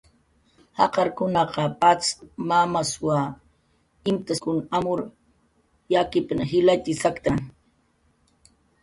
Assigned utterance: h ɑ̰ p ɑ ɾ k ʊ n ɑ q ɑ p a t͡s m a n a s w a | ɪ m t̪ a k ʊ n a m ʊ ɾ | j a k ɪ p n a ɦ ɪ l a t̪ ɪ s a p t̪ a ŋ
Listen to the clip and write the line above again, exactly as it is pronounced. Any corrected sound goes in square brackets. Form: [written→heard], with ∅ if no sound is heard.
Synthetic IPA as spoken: h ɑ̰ [p→q] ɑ ɾ k ʊ n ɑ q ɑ p a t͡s m a [n→m] a s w a | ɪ m t̪ a k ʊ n a m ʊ ɾ | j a k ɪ p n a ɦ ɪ l a t̪ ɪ s a [p→k] t̪ a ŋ

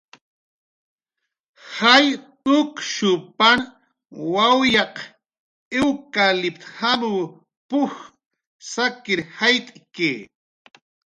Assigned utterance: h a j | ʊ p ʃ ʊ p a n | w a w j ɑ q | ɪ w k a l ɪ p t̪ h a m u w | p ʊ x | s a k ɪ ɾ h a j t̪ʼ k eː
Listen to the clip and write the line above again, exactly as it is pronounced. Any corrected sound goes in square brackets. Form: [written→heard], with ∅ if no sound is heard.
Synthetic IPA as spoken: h a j | ʊ [p→k] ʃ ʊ p a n | w a w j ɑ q | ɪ w k a l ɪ p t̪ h a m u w | p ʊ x | s a k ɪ ɾ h a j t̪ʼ k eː

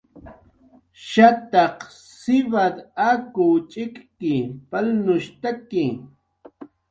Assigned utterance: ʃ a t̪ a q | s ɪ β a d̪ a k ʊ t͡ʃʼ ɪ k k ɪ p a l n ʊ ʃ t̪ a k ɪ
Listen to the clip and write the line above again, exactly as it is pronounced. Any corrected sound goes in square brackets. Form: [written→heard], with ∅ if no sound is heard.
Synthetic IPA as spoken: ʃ a t̪ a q | s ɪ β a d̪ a k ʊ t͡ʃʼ ɪ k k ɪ p a l n ʊ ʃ t̪ a k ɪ

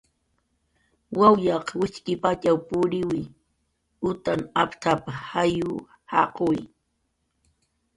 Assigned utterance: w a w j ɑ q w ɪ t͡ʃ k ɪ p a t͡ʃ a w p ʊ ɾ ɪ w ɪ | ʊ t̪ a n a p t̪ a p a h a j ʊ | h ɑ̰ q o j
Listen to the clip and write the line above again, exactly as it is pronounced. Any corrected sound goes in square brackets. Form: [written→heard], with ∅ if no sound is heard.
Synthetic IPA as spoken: w a w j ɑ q w ɪ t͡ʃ k ɪ p a t͡ʃ a w p ʊ ɾ ɪ w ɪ | ʊ t̪ a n a p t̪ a p a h a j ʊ | h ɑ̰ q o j

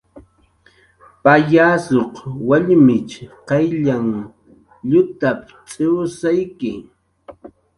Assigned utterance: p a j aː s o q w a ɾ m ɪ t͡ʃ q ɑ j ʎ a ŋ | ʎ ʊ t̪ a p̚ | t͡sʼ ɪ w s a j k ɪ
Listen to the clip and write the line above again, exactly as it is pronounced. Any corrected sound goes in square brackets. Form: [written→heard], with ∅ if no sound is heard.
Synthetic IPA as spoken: p a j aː s o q w a [ɾ→ʎ] m ɪ t͡ʃ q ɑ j ʎ a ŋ | ʎ ʊ t̪ a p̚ | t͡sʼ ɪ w s a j k ɪ

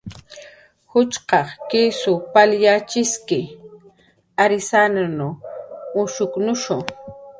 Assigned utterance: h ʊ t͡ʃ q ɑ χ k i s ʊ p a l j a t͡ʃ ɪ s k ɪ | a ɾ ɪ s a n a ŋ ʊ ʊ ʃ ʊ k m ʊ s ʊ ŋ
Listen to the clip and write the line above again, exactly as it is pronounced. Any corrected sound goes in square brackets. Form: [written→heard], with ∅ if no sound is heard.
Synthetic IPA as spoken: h ʊ t͡ʃ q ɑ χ k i s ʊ p a l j a t͡ʃ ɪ s k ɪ | a ɾ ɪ s a n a [ŋ→n] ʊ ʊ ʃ ʊ k [m→n] ʊ [s→ʃ] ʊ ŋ

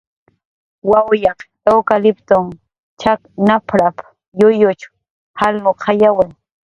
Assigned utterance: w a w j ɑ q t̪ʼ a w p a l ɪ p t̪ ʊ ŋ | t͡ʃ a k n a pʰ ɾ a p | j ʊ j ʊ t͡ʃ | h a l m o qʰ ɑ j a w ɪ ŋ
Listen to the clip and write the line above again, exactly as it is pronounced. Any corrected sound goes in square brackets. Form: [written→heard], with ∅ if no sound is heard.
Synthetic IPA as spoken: w a w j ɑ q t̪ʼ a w [p→k] a l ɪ p t̪ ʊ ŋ | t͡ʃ a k n a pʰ ɾ a p | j ʊ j ʊ t͡ʃ | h a l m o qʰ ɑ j a w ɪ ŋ

